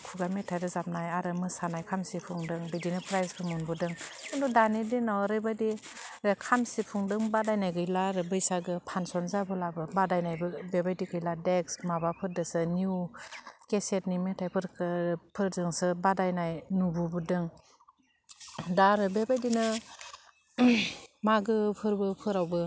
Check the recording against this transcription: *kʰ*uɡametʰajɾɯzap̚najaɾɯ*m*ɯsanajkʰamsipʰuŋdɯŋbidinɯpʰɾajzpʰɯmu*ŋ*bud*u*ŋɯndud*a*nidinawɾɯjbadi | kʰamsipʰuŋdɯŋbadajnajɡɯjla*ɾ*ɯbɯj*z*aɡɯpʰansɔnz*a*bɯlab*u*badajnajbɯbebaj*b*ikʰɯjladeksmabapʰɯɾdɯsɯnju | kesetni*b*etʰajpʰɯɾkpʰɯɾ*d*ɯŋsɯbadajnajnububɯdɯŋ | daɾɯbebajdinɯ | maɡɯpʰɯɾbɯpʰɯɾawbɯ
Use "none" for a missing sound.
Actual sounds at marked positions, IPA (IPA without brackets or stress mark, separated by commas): kʰ, m, n, ɯ, a, ɾ, s, a, ɯ, d, m, d